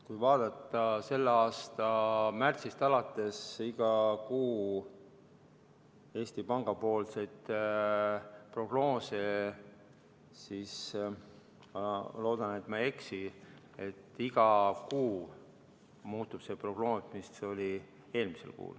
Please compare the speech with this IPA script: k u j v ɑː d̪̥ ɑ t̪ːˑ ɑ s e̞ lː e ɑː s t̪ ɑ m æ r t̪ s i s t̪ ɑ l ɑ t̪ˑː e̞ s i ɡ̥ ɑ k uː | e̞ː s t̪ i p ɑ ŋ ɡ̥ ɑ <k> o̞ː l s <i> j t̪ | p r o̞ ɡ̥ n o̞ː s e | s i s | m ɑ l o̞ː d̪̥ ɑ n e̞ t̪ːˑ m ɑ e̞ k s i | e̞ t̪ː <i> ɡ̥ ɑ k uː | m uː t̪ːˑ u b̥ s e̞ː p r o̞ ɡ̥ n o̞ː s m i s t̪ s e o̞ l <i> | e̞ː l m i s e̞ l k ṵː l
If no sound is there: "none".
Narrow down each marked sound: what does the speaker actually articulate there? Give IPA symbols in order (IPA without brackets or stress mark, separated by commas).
p, e, i, i